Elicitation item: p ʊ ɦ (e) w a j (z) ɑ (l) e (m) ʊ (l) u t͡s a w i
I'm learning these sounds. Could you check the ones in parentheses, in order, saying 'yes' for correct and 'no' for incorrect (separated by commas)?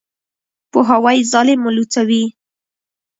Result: no, yes, yes, yes, yes